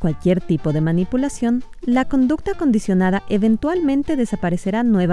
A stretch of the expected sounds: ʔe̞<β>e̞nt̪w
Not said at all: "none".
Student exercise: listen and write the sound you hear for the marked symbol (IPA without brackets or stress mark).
β